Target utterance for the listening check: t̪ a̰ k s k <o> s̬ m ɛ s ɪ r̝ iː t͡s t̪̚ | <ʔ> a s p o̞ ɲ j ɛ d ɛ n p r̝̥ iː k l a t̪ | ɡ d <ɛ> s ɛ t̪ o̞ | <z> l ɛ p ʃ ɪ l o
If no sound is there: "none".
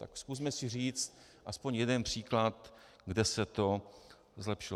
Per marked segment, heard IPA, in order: u, ʔ, ɛ, z

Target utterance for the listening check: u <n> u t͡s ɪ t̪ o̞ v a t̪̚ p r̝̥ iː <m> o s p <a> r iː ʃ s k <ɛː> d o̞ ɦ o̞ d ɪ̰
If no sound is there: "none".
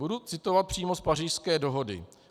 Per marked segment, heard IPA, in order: d, m, a, ɛː

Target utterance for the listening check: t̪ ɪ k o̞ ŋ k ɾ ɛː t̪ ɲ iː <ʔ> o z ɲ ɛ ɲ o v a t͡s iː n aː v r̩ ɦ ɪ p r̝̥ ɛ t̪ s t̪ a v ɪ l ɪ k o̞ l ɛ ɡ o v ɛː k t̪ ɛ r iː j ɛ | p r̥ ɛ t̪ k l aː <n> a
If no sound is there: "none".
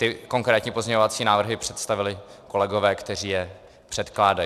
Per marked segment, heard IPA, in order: p, d

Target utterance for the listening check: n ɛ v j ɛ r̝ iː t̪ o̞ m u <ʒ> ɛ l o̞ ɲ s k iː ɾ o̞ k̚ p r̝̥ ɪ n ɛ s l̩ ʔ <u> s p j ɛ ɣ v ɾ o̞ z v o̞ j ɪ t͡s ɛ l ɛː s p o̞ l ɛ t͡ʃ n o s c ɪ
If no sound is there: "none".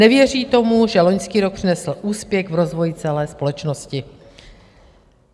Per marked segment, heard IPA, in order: ʒ, uː

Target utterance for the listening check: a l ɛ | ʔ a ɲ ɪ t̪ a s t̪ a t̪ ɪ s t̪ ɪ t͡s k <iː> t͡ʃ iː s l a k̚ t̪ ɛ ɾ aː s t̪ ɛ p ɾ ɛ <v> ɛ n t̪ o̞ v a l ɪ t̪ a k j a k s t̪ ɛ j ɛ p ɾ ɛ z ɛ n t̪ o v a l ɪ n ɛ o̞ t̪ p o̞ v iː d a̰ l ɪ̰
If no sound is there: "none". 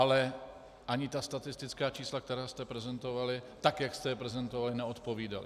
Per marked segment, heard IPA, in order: aː, z

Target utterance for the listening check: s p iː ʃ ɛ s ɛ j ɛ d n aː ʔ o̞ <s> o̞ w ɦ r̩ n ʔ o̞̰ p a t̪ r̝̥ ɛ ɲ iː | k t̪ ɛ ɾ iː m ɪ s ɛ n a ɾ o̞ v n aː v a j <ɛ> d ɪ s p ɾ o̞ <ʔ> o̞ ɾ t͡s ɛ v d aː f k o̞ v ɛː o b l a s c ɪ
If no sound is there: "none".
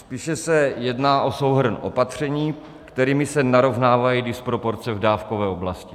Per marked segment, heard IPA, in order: s, i, p

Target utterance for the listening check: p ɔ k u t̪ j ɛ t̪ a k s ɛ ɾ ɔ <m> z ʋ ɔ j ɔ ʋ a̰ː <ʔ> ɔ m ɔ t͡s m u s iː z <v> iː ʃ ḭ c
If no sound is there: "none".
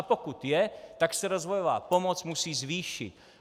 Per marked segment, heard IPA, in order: none, p, ʋ

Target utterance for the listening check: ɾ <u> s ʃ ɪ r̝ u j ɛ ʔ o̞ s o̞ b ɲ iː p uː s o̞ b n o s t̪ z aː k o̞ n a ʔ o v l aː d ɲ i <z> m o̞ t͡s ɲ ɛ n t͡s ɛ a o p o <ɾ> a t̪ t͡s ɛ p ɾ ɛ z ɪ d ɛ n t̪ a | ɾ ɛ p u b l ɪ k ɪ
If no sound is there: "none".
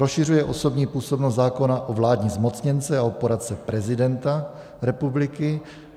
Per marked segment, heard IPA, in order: o, z, ɾ

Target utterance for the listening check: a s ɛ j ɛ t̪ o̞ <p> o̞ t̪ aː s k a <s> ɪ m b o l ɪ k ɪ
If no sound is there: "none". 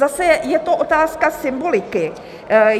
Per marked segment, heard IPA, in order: ʔ, s

